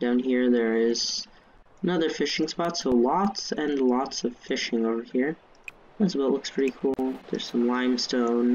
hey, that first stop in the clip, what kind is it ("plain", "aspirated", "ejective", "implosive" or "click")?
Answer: plain